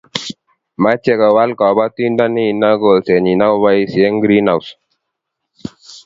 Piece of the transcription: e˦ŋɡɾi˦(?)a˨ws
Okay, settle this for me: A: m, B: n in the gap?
B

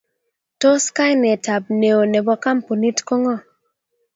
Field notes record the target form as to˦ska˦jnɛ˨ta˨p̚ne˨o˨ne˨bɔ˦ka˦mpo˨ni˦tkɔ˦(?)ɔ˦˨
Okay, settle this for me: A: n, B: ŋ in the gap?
B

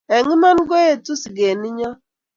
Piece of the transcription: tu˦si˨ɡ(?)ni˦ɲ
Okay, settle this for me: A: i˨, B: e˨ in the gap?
B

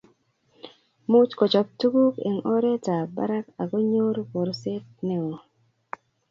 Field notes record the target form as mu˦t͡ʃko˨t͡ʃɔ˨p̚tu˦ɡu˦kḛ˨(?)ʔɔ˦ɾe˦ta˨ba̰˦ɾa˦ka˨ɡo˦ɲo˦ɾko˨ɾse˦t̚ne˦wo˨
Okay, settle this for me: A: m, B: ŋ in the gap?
B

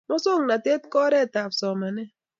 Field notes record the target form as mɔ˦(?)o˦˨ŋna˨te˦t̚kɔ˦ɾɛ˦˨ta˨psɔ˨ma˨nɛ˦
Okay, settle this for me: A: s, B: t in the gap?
A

